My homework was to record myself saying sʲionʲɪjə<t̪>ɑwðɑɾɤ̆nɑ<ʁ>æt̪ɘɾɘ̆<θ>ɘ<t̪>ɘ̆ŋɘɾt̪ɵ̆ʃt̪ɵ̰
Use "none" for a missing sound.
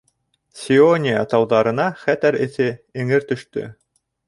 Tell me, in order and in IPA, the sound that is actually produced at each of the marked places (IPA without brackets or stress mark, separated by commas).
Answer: t̪, χ, θ, none